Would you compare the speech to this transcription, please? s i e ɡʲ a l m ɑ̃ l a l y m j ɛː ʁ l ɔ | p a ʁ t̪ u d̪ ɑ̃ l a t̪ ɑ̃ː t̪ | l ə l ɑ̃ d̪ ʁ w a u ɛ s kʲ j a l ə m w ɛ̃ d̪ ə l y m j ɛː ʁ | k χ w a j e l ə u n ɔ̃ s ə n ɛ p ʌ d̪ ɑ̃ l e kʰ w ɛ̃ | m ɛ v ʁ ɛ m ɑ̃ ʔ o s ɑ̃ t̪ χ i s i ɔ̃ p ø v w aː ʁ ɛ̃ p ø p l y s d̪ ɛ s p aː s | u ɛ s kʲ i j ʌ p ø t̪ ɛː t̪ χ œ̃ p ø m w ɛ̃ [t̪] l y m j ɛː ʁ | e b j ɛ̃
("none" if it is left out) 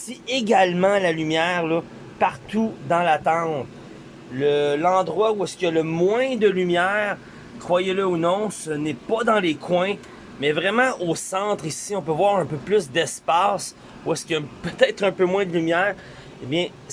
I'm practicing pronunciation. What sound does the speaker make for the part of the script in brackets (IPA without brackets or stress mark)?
d̪